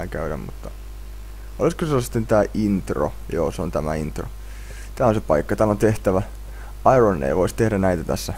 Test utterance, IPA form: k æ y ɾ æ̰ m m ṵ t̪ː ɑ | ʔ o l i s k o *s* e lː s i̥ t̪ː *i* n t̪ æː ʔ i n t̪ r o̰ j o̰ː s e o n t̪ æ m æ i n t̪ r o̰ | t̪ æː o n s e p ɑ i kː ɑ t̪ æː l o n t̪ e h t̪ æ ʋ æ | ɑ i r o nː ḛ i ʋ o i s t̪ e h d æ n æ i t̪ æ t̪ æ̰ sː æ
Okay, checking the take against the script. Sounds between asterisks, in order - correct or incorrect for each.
correct, incorrect

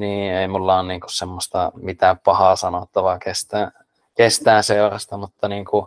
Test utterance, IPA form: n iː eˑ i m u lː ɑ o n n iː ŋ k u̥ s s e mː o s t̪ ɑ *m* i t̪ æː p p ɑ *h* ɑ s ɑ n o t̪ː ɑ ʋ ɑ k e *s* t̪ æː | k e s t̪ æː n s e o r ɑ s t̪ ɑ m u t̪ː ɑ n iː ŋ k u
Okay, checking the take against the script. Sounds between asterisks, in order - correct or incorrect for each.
correct, correct, correct

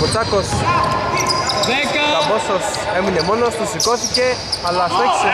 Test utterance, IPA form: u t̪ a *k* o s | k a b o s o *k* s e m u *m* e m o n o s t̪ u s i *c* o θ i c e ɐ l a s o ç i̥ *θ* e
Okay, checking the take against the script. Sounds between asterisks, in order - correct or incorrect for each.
correct, incorrect, incorrect, incorrect, incorrect

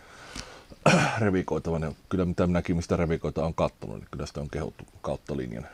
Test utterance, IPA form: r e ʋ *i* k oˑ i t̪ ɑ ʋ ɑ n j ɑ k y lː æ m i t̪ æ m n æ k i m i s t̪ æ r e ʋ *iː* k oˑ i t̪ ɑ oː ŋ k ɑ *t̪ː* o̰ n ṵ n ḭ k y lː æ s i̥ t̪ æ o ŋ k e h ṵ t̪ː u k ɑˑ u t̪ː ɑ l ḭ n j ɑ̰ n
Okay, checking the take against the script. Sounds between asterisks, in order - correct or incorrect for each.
correct, incorrect, correct

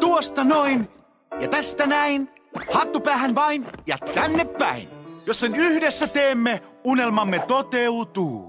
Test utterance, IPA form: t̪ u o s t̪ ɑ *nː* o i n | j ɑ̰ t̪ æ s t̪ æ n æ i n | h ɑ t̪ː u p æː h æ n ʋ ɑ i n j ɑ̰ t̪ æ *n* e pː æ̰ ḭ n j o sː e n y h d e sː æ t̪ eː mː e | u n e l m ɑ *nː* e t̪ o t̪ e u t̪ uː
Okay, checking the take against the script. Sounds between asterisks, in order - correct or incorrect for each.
incorrect, incorrect, incorrect

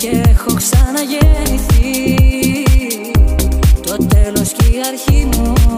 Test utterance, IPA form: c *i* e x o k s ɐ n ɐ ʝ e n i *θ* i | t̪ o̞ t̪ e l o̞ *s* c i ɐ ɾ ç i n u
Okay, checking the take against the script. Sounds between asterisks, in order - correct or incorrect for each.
incorrect, correct, correct

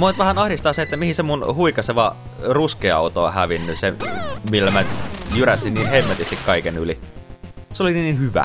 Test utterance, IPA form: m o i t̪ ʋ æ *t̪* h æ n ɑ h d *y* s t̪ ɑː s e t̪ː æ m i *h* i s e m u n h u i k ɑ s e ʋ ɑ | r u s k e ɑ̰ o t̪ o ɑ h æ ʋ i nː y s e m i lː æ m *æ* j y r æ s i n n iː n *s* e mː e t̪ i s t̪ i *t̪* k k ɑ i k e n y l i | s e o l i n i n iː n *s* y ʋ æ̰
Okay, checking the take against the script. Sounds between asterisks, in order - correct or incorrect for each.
incorrect, incorrect, correct, correct, incorrect, incorrect, incorrect

